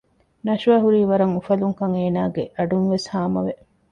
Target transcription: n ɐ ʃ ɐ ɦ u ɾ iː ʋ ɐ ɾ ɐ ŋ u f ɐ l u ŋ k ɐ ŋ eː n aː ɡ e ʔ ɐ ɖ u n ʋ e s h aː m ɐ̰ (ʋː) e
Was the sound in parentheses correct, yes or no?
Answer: no